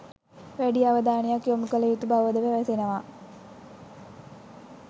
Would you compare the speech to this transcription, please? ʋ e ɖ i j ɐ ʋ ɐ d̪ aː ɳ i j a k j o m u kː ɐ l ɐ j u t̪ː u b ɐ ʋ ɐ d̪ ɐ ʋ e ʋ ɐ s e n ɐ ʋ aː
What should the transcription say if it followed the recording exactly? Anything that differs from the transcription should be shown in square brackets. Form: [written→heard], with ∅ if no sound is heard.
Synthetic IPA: ʋ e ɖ i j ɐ ʋ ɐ d̪ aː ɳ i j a k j o m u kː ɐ l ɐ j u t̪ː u b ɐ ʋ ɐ d̪ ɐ ʋ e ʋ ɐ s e n ɐ ʋ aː